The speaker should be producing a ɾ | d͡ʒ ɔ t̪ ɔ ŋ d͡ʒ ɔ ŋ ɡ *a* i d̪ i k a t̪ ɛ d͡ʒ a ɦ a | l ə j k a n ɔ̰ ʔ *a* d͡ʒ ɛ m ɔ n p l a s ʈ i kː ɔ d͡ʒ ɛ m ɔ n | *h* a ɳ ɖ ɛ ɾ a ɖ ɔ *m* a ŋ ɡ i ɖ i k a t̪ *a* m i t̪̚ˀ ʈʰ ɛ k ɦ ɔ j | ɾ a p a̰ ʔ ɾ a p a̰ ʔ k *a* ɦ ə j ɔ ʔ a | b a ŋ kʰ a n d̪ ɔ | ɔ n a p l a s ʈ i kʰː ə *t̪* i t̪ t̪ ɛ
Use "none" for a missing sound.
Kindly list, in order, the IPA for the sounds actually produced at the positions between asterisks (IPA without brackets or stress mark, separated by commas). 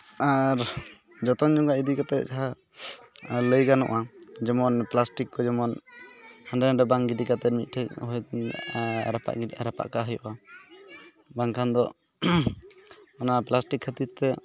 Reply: a, a, h, b, ɛ, a, t̪